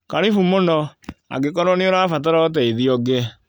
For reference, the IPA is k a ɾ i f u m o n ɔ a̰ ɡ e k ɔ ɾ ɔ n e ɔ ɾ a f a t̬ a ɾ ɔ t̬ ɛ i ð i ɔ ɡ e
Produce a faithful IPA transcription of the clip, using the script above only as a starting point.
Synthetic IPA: k a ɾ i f u m o n ɔ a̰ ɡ e k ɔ ɾ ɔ n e o ɾ a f a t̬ a ɾ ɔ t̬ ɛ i ð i ɔ ɡ e